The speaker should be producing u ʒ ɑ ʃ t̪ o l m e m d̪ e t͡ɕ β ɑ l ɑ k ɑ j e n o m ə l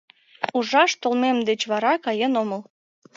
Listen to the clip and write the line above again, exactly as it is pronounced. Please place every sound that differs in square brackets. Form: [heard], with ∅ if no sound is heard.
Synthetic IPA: u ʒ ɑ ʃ t̪ o l m e m d̪ e t͡ɕ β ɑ [ɾ] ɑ k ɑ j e n o m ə l

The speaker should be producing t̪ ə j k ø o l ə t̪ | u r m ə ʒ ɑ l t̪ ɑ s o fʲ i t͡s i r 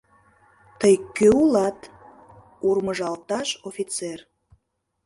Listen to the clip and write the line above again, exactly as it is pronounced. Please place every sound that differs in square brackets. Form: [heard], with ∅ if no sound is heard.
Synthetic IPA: t̪ ə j k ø [u] l [ɑ] t̪ | u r m ə ʒ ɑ l t̪ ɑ [ʃ] o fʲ i t͡s [e] r

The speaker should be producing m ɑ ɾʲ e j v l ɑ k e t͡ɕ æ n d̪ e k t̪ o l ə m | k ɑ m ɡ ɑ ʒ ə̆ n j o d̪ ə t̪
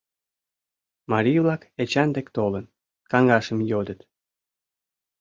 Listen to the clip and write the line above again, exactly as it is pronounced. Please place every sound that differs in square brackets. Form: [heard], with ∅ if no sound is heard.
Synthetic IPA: m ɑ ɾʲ [i] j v l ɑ k e t͡ɕ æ n d̪ e k t̪ o l ə [n] | k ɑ [ŋ] ɡ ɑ [ʃ] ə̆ [m] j o d̪ ə t̪

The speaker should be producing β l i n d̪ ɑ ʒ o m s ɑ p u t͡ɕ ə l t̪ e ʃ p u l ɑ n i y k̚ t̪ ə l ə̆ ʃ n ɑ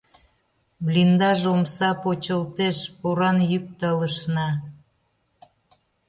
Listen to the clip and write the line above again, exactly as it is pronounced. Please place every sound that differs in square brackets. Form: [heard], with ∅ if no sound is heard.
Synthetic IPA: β l i n d̪ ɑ ʒ o m s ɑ p [o] t͡ɕ ə l t̪ e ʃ p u [ɾ] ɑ n [j] y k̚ t̪ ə l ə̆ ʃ n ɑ

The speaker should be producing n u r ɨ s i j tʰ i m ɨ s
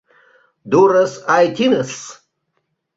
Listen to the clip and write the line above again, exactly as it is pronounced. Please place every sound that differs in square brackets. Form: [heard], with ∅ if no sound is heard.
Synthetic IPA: [d] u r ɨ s [a] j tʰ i [n] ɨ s

